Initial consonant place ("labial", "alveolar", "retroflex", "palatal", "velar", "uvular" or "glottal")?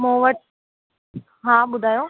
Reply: labial